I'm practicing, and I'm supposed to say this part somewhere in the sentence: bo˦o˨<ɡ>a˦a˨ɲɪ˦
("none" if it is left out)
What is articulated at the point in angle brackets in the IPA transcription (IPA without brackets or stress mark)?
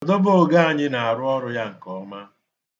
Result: ɡ